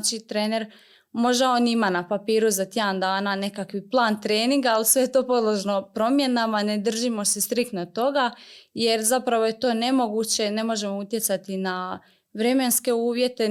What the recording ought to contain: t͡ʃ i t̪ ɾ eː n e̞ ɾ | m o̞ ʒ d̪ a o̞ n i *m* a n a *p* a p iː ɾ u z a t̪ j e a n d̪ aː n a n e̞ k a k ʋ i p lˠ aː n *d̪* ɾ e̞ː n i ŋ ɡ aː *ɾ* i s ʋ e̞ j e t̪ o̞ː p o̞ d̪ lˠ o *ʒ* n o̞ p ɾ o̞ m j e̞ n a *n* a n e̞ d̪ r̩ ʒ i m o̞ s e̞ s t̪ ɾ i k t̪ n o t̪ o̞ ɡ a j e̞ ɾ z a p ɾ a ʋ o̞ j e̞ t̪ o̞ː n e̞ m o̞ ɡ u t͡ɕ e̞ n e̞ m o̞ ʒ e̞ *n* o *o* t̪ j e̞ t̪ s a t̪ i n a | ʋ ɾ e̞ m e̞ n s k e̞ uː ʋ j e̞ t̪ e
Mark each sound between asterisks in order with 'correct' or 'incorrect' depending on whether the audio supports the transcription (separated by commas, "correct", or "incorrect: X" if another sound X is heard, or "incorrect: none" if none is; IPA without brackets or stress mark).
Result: correct, correct, incorrect: t̪, incorrect: l, correct, incorrect: m, incorrect: m, incorrect: u